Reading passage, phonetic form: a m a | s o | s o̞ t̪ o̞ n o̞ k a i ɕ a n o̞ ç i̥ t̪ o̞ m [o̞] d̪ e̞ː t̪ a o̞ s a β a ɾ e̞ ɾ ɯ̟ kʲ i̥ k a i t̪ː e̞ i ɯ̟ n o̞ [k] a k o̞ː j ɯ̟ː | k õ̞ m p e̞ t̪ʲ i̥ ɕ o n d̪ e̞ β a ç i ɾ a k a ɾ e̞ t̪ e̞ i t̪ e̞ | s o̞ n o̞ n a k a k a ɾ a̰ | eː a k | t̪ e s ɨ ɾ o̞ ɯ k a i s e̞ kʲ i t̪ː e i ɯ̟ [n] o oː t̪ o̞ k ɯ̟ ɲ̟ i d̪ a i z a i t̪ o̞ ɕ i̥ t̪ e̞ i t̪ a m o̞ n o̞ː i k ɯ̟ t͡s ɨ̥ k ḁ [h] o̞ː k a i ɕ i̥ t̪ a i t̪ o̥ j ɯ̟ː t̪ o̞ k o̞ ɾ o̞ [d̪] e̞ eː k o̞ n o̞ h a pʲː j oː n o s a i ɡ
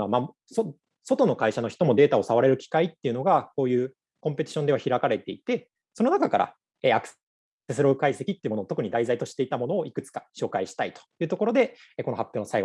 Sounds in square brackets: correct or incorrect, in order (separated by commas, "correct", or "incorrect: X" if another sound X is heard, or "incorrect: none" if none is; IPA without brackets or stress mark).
correct, incorrect: ɡ, incorrect: m, incorrect: ɕ, correct